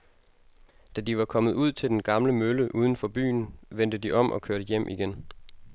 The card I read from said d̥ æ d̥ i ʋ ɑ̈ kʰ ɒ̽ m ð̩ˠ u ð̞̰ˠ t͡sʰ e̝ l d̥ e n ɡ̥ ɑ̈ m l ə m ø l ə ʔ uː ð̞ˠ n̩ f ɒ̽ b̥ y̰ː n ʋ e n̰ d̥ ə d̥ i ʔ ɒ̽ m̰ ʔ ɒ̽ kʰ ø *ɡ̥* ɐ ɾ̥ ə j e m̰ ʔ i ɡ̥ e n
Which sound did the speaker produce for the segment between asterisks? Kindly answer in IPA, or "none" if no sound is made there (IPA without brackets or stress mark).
none